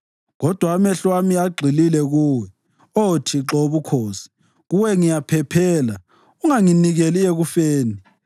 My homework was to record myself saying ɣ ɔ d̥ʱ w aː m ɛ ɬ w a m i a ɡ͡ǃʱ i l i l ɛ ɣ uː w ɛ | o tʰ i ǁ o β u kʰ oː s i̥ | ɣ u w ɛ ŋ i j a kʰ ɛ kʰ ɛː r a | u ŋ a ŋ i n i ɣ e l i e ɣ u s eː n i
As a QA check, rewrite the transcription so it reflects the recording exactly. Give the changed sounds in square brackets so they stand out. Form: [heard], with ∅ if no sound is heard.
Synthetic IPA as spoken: ɣ ɔ d̥ʱ w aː m ɛ ɬ w a m i a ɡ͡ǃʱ i l i l ɛ ɣ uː w ɛ | o tʰ i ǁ o β u kʰ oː s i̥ | ɣ u w ɛ ŋ i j a [pʰ] ɛ [pʰ] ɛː [l] a | u ŋ a ŋ i n i ɣ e l i e ɣ u [f] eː n i